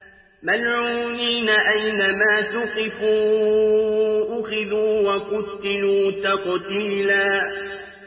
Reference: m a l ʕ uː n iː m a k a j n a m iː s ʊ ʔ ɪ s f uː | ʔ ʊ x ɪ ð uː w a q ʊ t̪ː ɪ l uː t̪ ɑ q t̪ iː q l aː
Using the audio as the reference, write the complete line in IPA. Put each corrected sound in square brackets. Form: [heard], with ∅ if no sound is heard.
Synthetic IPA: m a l ʕ uː n iː [n] a [ʔ] a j n a m [aː] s ʊ [q] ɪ [∅] f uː | ʔ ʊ x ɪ ð uː w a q ʊ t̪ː ɪ l uː t̪ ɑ q t̪ iː [∅] l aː